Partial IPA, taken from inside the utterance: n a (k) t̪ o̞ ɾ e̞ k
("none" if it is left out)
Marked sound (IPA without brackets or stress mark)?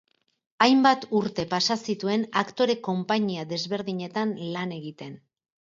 k